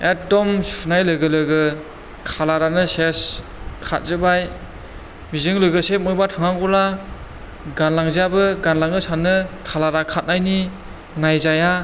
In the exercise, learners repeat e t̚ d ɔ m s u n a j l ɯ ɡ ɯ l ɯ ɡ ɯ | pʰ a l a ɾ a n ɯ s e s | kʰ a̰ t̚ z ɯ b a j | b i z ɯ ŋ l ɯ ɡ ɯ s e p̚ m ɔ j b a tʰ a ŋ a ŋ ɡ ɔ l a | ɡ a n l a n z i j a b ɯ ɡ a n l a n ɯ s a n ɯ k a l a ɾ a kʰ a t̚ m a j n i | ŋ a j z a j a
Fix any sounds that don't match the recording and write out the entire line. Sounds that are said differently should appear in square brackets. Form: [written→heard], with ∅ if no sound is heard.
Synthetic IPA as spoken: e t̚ d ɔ m s u n a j l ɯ ɡ ɯ l ɯ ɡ ɯ | [pʰ→kʰ] a l a ɾ a n ɯ s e s | kʰ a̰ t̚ z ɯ b a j | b i z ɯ ŋ l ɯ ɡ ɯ s e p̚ m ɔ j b a tʰ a ŋ a ŋ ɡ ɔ l a | ɡ a n l a [n→ŋ] z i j a b ɯ ɡ a n l a [n→ŋ] ɯ s a n ɯ [k→kʰ] a l a ɾ a kʰ a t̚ [m→n] a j n i | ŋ a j z a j a